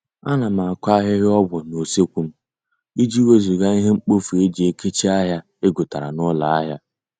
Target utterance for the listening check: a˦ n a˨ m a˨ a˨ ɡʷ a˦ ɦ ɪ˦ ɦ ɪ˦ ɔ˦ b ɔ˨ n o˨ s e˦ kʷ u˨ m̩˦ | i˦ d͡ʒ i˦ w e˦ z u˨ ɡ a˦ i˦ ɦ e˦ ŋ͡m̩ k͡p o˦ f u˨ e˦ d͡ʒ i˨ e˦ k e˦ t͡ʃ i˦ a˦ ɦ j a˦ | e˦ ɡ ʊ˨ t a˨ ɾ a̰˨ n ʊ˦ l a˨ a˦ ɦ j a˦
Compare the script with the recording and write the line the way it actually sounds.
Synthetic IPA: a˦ n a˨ m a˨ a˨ kʷ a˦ ɦ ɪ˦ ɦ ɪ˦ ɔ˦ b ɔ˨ n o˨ s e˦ kʷ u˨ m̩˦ | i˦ d͡ʒ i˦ w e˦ z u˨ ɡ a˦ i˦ ɦ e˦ ŋ͡m̩ k͡p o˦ f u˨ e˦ d͡ʒ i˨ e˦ k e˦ t͡ʃ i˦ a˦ ɦ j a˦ | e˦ ɡ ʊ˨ t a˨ ɾ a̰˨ n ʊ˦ l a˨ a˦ ɦ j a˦